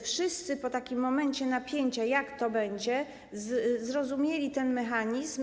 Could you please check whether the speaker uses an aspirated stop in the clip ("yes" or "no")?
no